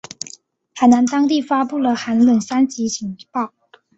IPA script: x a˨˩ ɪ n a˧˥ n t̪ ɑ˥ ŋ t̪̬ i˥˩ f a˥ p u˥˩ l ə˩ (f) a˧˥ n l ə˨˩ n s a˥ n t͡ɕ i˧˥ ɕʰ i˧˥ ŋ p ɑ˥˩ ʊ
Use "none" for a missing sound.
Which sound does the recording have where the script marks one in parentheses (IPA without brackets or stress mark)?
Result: x